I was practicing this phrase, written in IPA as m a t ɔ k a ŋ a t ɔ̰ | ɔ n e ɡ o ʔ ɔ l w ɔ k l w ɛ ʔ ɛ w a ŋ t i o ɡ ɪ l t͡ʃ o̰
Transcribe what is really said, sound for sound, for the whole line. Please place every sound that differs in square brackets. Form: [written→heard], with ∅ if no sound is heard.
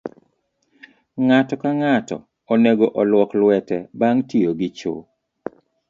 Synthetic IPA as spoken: [m→ŋ] a t ɔ k a ŋ a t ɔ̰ | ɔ n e ɡ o ʔ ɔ l w ɔ k l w ɛ [ʔ→t] ɛ [w→b] a ŋ t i o ɡ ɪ [l→∅] t͡ʃ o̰